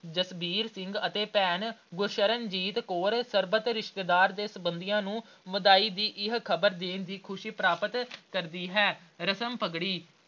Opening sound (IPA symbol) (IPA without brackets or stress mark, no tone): d͡ʒ